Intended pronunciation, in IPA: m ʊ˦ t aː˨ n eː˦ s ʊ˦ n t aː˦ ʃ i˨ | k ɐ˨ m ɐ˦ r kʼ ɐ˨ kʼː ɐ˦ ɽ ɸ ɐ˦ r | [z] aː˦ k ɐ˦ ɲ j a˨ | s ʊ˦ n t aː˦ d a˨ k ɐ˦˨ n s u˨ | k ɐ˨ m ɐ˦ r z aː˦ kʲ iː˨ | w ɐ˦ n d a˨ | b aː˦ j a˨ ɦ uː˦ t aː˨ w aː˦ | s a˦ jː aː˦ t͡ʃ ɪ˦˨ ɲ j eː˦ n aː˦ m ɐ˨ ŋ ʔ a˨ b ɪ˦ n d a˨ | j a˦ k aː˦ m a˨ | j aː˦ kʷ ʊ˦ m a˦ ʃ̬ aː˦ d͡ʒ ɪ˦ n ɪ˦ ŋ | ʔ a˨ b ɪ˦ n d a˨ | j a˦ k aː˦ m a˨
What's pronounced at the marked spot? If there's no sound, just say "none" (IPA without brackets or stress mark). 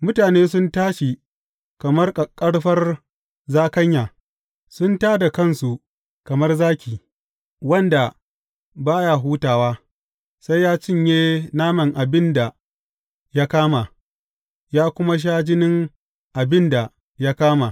z